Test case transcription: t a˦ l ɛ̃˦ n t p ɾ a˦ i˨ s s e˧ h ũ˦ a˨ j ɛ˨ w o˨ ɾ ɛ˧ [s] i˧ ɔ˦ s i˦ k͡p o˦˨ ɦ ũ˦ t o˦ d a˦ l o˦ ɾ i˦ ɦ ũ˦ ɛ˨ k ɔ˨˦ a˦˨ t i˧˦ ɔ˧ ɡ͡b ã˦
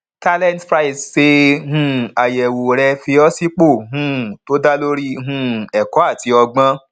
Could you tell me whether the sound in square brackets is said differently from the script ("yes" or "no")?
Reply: yes